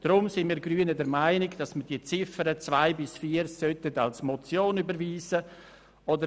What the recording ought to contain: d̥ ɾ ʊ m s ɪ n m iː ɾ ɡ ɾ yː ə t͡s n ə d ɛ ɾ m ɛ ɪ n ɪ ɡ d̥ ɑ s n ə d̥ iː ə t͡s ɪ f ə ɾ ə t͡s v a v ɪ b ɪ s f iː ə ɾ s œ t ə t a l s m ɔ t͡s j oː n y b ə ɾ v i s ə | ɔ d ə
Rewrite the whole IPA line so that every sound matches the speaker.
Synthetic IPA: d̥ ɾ ʊ m s ɪ n m iː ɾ ɡ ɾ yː ə n ə d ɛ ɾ m a ɪ n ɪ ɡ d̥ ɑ s m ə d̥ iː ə t͡s ɪ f ə ɾ ə t͡s v a ɪ b ɪ s f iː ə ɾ s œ t ə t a l s m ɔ t͡s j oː n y b ə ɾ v iː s ə | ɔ d ə